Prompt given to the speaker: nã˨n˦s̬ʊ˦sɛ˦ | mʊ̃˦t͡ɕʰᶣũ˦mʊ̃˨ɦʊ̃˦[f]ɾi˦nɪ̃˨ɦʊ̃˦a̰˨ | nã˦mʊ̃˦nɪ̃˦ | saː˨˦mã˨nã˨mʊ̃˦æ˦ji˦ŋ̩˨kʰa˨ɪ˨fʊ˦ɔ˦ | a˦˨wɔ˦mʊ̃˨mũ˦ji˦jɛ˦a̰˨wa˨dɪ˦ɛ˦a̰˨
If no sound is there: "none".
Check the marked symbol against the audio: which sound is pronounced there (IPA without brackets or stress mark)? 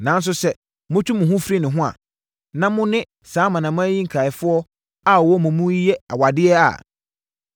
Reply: f